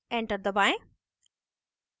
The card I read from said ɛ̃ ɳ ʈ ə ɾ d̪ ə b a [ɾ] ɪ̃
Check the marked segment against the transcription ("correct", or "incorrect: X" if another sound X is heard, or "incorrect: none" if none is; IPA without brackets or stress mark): incorrect: none